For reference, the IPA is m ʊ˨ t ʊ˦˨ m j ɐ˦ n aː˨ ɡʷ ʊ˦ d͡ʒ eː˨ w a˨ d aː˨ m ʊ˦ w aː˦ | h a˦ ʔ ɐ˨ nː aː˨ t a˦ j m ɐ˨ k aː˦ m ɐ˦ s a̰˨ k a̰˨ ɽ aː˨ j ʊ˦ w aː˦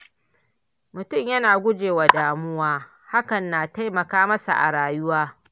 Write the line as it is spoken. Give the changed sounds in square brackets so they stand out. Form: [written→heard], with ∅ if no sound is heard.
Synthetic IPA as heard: m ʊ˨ t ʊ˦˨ m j ɐ˦ n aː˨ ɡʷ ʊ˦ d͡ʒ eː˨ w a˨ d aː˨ m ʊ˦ w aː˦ | h a˦ [ʔ→k] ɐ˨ nː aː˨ t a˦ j m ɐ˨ k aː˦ m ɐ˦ s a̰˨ [k→ʔ] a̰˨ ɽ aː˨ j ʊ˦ w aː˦